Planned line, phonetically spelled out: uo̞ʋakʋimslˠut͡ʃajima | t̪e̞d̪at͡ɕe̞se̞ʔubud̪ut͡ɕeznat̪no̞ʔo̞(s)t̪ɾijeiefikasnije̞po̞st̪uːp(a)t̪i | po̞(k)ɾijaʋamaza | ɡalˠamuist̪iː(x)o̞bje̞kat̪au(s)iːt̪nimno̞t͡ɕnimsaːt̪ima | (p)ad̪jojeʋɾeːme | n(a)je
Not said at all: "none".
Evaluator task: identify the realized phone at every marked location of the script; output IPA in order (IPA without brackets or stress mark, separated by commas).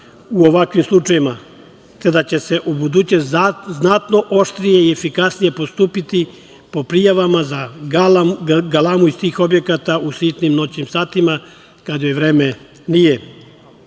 ʃ, i, p, x, s, k, i